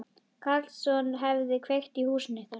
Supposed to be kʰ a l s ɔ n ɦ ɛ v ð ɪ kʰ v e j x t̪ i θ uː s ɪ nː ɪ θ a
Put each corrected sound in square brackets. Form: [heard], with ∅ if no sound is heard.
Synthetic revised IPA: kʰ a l s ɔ n ɦ ɛ v ð ɪ kʰ v e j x t̪ i [h] uː s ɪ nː ɪ θ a